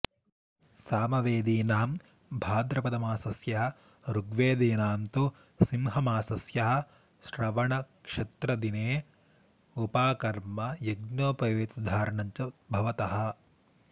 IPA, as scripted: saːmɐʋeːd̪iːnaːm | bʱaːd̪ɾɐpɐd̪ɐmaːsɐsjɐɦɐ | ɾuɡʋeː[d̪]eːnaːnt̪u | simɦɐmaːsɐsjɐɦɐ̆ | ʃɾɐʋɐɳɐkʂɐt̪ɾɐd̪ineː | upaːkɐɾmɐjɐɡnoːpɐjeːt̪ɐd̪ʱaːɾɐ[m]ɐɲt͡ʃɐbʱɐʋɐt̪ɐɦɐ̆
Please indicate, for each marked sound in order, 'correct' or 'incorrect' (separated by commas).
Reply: correct, incorrect